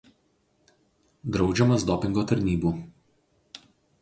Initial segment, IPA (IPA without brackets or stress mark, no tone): d̪